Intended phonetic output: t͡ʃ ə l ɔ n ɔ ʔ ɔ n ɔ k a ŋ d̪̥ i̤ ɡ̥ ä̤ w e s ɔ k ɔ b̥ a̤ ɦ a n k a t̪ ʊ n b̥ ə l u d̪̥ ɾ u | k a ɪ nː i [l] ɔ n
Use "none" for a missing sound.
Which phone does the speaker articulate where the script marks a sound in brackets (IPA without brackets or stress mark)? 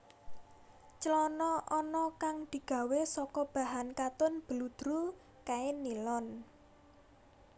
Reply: l